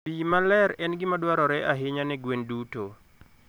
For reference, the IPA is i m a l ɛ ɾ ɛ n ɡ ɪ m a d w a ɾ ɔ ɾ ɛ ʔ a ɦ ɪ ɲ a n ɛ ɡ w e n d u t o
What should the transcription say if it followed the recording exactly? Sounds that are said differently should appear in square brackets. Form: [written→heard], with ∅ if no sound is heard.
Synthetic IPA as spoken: i m a l ɛ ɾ ɛ n ɡ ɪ m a d w a ɾ ɔ ɾ ɛ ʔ a ɦ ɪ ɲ a n ɛ ɡ w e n d u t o